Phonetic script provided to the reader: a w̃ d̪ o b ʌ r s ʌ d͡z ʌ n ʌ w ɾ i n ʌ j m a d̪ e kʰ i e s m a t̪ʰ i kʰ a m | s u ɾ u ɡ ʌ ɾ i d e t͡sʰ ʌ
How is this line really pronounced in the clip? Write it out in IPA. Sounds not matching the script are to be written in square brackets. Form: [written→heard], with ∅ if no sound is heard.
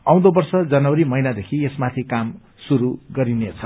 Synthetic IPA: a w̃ d̪ o b ʌ r s ʌ d͡z ʌ n ʌ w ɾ i [n→m] ʌ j [m→n] a d̪ e kʰ i e s m a t̪ʰ i [kʰ→k] a m | s u ɾ u ɡ ʌ ɾ i [d→n] e t͡sʰ ʌ